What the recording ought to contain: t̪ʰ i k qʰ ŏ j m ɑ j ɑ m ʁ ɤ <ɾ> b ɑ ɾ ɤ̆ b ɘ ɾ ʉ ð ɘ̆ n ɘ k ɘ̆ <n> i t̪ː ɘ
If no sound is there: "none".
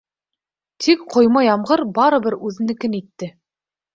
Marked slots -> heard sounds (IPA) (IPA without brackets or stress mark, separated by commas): ɾ, n